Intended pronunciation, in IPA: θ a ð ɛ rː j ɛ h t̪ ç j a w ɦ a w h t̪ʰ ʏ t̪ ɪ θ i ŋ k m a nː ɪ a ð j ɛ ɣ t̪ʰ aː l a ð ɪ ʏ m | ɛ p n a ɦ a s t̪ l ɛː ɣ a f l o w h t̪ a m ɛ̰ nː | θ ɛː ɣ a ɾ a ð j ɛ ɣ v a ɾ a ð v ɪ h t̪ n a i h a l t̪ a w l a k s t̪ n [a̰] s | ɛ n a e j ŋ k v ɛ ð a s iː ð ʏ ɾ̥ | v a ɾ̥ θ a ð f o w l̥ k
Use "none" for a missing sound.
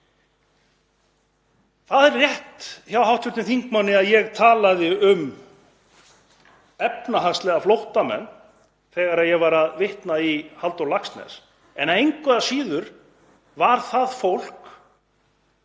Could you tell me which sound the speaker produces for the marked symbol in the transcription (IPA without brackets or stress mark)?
ɛ̰